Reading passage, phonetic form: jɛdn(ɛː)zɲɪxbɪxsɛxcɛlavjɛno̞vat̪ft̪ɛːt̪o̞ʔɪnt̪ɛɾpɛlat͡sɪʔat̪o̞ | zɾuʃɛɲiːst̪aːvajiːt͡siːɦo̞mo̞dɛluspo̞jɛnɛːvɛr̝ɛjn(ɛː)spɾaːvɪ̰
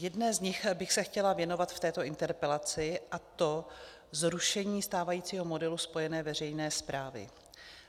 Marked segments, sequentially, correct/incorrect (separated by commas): correct, correct